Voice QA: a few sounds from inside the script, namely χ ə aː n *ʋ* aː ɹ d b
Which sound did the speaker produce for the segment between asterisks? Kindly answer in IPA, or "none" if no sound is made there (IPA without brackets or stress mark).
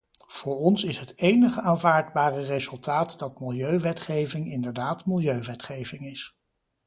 v